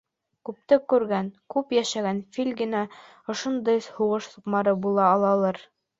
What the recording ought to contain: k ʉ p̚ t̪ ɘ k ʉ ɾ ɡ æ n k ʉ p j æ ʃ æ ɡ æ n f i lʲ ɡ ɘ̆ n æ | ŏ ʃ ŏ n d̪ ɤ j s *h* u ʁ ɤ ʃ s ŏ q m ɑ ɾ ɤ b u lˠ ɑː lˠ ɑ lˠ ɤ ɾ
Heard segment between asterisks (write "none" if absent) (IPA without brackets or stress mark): h